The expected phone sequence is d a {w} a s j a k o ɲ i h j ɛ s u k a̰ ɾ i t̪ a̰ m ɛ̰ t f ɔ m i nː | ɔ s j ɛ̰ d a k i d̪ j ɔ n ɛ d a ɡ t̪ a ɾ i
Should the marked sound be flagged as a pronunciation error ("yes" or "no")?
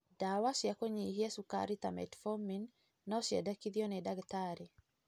no